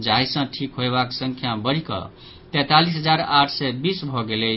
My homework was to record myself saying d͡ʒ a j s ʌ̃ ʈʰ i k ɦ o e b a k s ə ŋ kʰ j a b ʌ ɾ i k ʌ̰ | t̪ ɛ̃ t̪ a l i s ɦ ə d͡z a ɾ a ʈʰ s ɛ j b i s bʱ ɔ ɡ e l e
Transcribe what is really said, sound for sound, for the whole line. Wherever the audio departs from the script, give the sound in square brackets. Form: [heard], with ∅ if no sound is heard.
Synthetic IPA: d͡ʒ a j s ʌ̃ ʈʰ i k ɦ o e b a k s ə ŋ kʰ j a b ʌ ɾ i k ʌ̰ | t̪ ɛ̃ t̪ a l i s ɦ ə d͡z a ɾ a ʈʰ s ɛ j b i s bʱ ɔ ɡ e l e